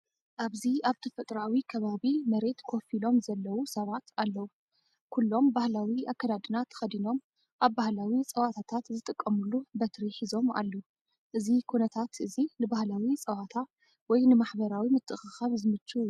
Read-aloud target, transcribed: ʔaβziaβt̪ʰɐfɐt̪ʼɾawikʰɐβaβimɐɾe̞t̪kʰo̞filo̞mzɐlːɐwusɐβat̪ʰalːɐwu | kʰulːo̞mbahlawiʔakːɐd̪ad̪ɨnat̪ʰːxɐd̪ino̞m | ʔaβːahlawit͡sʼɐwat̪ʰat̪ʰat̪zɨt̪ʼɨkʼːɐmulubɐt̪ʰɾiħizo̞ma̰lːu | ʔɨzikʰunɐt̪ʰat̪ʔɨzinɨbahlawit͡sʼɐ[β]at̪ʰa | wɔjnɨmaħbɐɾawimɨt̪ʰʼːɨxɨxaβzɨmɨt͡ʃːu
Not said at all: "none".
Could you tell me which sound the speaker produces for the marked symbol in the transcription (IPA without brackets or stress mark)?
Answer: w